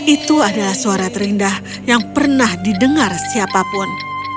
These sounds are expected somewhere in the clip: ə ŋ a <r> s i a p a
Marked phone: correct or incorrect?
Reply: correct